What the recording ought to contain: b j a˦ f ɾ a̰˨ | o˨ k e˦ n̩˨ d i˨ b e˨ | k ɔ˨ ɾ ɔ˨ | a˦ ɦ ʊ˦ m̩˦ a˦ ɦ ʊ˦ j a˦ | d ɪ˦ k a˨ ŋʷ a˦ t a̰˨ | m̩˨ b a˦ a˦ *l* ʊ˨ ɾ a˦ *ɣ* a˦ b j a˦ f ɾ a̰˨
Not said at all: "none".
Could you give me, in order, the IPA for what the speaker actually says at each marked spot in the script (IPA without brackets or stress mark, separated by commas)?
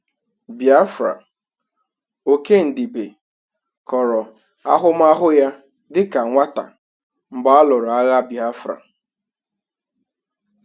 l, ɣ